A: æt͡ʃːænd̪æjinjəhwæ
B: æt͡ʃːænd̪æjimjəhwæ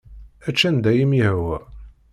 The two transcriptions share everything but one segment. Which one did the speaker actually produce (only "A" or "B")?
B